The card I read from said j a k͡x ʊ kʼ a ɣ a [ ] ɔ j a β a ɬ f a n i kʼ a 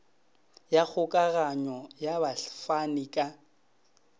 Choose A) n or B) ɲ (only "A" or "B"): B